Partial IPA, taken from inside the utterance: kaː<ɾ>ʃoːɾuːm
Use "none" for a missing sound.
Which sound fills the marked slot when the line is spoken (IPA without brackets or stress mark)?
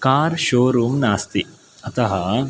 ɾ